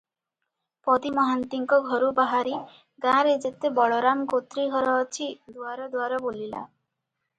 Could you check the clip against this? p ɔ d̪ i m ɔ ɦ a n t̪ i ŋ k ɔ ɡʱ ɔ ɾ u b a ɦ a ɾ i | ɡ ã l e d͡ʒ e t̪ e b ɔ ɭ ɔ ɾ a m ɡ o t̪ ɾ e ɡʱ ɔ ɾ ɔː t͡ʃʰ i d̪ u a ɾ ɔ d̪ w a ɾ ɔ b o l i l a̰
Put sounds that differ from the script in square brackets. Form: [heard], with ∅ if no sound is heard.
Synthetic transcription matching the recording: p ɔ d̪ i m ɔ ɦ a n t̪ i ŋ k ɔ ɡʱ ɔ ɾ u b a ɦ a ɾ i | ɡ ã [ɾ] e d͡ʒ e t̪ e b ɔ ɭ ɔ ɾ a m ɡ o t̪ ɾ [i] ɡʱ ɔ ɾ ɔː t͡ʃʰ i d̪ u a ɾ ɔ d̪ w a ɾ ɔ b o l i l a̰